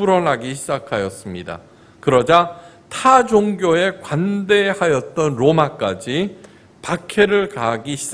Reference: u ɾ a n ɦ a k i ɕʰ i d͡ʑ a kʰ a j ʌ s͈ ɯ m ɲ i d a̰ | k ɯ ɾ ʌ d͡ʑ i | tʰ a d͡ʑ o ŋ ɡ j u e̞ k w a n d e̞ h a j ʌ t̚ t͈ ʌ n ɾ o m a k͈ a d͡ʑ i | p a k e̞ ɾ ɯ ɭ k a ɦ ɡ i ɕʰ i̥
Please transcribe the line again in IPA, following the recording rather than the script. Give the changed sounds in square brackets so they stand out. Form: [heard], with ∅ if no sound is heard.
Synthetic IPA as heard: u ɾ [ʌ] n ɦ a [ɡ] i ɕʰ i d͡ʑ a kʰ a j ʌ s͈ ɯ m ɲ i d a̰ | k ɯ ɾ ʌ d͡ʑ [a] | tʰ a d͡ʑ o ŋ ɡ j [o] e̞ k w a n d e̞ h a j ʌ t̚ t͈ ʌ n ɾ o m a k͈ a d͡ʑ i | p a [kʰ] e̞ ɾ ɯ ɭ k a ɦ ɡ i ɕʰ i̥